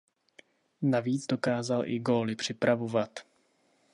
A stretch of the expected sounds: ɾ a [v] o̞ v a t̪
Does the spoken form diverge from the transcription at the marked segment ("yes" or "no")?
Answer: no